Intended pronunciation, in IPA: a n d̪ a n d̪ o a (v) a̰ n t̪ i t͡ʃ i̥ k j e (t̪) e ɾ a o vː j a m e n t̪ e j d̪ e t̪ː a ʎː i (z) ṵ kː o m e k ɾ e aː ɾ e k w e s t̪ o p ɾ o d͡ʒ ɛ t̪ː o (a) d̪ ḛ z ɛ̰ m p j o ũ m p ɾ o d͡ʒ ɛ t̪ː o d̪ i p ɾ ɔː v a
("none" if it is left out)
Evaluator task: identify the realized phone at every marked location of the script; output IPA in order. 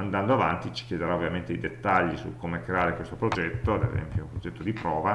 v, d̪, s, a

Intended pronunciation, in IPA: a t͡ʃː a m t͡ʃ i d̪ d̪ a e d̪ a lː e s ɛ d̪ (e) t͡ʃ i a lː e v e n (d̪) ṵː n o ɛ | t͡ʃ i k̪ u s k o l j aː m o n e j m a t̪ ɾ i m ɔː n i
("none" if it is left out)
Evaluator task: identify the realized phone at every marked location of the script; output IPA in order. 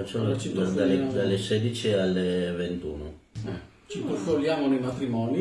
i, t̪

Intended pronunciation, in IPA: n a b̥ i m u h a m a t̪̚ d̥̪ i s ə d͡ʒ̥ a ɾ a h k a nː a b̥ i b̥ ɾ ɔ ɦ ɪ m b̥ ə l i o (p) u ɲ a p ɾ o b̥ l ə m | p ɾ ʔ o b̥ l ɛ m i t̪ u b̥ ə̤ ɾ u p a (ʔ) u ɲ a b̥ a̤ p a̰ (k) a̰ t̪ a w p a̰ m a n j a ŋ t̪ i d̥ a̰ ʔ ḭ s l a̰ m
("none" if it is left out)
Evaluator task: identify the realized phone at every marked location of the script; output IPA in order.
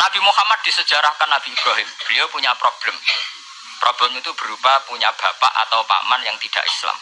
p, p, ʔ

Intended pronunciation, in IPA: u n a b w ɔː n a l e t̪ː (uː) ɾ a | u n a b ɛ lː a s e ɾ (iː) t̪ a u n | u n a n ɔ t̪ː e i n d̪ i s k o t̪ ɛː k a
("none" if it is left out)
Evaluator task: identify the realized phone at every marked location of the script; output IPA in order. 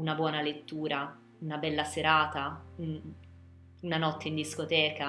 uː, aː

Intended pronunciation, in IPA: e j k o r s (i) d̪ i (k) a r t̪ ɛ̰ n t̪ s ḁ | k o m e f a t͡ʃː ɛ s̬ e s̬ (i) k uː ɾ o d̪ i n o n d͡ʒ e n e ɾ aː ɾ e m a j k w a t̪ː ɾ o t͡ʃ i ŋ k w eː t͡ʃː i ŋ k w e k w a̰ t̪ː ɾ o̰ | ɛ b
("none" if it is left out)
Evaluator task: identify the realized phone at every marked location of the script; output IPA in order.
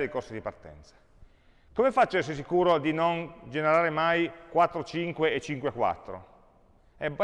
i, p, i

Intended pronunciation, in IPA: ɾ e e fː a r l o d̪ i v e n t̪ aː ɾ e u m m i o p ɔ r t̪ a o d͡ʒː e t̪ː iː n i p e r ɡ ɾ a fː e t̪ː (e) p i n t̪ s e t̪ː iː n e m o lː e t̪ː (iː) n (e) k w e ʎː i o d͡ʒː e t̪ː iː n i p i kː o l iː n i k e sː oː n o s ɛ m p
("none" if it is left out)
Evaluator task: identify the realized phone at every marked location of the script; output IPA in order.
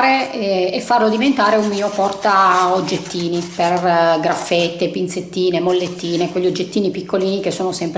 e, iː, e

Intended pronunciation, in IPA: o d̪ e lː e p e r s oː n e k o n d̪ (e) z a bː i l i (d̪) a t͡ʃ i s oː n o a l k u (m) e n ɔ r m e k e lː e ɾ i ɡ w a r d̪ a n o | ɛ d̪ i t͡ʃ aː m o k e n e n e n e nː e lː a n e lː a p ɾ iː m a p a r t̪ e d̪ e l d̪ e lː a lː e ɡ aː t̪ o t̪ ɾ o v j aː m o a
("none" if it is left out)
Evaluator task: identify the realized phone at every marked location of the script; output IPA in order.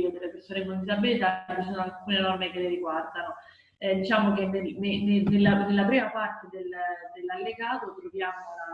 i, t̪, n

